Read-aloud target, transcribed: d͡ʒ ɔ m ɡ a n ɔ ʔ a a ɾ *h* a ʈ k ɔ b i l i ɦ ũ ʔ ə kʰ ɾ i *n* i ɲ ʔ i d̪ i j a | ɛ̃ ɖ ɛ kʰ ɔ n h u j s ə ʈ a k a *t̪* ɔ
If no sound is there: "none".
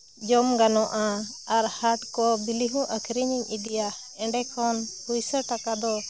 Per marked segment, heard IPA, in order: h, ɲ, d̪

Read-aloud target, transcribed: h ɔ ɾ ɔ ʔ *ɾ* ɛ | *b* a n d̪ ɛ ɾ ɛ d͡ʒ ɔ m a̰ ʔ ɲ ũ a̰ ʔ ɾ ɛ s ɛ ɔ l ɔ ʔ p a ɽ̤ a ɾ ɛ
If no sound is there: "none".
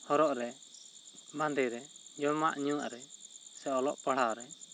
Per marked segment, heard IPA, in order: ɾ, b

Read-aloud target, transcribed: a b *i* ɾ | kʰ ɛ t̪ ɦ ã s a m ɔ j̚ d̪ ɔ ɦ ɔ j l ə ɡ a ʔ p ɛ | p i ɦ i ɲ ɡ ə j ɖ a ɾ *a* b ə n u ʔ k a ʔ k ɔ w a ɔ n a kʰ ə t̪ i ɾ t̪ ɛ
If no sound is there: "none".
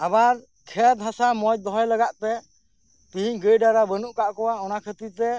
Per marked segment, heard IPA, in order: a, a

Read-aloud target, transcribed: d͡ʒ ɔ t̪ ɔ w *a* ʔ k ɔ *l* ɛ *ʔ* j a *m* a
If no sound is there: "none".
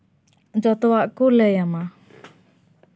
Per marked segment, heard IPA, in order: a, l, none, m

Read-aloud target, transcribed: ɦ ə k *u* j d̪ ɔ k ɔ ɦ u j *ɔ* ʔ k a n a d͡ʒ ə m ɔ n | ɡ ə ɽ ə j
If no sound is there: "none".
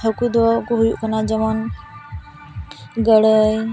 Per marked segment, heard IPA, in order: u, u

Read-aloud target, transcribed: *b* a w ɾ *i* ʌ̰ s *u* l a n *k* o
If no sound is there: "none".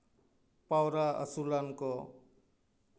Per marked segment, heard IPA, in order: p, a, u, k

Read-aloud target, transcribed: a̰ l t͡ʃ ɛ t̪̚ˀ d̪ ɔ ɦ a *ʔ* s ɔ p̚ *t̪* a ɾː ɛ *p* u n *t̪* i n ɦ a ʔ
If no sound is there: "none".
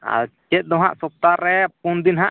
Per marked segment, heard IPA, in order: ʔ, t̪, p, d̪

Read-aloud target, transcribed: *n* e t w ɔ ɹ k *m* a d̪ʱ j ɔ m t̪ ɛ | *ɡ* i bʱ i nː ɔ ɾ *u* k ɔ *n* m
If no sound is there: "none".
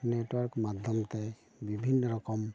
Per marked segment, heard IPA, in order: n, m, b, ɔ, none

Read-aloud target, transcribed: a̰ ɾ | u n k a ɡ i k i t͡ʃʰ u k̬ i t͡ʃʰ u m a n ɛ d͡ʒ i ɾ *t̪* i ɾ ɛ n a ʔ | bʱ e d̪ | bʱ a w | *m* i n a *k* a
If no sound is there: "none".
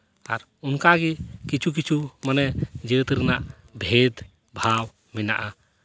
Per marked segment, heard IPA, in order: t̪, m, ʔ

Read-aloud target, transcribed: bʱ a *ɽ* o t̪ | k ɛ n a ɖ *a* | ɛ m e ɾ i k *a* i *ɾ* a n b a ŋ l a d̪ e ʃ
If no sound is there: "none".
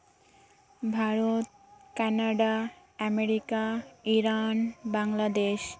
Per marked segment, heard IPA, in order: ɾ, a, a, ɾ

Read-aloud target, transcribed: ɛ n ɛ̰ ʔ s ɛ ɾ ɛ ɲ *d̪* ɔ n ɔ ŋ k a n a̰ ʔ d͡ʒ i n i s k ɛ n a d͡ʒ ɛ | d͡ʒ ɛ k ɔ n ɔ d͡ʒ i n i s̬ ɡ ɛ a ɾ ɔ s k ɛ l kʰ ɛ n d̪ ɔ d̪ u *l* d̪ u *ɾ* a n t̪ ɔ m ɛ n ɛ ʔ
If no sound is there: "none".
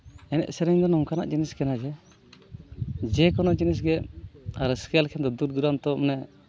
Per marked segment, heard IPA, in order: d̪, ɾ, ɾ

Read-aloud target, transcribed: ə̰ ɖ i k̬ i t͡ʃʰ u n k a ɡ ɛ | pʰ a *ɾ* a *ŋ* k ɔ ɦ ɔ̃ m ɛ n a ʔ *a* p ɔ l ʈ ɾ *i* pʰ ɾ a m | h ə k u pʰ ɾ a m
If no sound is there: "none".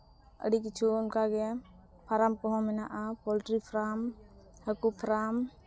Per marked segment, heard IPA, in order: ɾ, m, a, i

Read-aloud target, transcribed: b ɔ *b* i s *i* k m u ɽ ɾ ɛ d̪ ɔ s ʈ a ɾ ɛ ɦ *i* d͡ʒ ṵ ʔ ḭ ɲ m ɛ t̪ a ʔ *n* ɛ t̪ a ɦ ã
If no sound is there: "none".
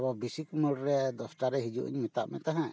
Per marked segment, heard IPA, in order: b, i, i, m

